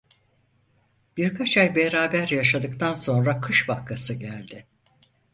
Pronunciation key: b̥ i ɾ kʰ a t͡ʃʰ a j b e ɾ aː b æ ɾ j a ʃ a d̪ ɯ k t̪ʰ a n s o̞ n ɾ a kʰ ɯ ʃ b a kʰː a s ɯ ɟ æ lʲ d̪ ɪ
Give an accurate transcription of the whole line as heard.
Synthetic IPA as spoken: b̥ i ɾ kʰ a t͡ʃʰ a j b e ɾ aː b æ ɾ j a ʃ a d̪ ɯ k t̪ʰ a n s o̞ n ɾ a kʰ ɯ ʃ b a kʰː a s ɯ ɟ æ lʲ d̪ ɪ